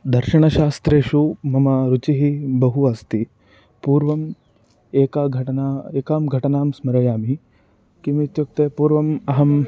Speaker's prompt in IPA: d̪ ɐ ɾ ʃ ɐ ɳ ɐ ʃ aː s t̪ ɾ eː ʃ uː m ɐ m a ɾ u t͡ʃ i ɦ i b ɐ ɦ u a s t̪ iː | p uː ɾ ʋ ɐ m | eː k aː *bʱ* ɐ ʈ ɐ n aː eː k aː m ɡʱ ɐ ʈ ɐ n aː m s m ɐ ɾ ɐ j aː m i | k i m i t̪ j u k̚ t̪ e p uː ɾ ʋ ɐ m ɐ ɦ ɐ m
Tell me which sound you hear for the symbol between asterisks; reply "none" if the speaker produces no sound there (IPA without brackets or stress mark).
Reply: ɡʱ